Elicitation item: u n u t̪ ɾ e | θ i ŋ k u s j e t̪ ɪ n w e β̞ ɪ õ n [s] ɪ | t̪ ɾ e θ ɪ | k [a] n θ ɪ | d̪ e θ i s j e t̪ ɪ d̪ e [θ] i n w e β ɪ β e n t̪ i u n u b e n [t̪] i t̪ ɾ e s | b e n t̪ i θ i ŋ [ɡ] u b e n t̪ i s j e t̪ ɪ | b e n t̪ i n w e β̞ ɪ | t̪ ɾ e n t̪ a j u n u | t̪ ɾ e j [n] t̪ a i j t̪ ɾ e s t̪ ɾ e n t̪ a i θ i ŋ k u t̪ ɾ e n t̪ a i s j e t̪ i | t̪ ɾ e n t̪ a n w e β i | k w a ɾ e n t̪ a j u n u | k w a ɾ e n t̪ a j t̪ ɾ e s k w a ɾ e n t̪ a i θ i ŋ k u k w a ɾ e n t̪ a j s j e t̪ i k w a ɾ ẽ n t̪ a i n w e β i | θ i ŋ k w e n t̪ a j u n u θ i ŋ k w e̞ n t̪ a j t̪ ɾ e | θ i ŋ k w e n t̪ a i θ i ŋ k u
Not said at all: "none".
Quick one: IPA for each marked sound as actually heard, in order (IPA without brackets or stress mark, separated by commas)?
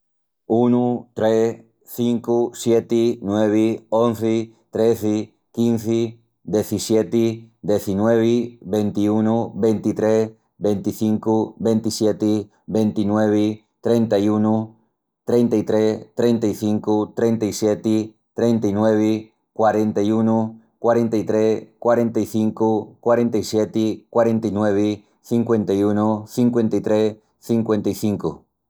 θ, i, θ, t̪, k, n